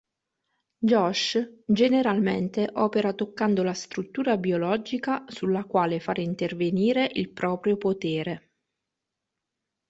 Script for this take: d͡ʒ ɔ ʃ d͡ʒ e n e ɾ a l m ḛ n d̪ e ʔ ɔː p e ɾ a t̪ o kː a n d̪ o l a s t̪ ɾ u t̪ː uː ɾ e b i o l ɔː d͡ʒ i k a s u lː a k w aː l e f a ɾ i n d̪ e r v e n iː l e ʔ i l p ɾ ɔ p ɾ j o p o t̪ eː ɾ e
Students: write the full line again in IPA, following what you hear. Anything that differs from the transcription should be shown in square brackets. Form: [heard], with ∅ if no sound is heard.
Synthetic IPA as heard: d͡ʒ ɔ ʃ d͡ʒ e n e ɾ a l m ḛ n [t̪] e ʔ ɔː p e ɾ a t̪ o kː a n d̪ o l a s t̪ ɾ u t̪ː uː ɾ [a] b i o l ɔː d͡ʒ i k a s u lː a k w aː l e f a ɾ i n [t̪] e r v e n iː [ɾ] e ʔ i l p ɾ [ɔː] p ɾ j o p o t̪ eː ɾ e